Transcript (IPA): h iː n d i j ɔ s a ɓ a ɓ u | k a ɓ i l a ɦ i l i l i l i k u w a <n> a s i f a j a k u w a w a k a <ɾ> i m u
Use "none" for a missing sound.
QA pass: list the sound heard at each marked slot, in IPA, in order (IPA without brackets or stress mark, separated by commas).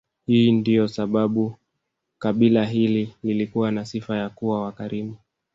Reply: n, ɾ